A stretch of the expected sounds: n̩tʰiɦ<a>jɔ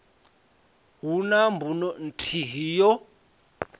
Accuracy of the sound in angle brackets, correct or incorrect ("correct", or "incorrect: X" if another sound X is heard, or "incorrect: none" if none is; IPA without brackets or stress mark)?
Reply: incorrect: i